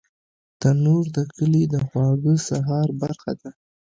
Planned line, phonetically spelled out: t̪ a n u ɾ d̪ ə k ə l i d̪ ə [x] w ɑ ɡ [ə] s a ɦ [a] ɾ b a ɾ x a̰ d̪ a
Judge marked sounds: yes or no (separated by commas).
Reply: yes, yes, no